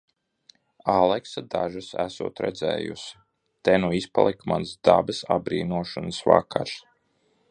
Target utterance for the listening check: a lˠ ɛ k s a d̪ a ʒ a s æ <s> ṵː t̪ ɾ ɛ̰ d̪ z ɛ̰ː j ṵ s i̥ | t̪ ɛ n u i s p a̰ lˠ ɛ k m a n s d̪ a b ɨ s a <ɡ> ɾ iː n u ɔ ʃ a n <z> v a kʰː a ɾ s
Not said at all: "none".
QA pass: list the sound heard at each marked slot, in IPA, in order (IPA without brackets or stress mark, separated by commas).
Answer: s, b, s